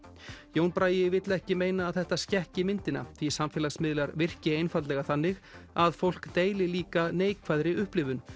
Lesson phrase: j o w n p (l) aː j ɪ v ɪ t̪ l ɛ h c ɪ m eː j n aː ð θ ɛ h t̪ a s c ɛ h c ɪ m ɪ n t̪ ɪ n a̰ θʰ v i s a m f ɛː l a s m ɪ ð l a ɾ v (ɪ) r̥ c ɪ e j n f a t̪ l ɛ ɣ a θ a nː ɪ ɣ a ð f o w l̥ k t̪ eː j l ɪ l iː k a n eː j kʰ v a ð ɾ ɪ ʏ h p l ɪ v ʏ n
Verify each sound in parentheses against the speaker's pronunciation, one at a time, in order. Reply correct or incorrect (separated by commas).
incorrect, correct